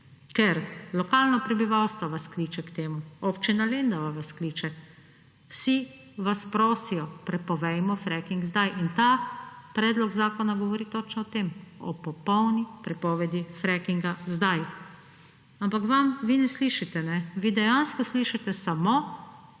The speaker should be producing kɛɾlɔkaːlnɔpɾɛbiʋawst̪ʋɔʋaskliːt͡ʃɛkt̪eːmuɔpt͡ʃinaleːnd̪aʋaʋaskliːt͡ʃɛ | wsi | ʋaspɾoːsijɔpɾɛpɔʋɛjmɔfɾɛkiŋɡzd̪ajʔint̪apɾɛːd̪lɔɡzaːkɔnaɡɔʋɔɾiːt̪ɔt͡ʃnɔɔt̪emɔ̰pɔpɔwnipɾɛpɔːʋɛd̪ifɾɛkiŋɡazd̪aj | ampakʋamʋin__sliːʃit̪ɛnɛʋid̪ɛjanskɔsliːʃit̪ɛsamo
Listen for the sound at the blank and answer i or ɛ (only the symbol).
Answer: ɛ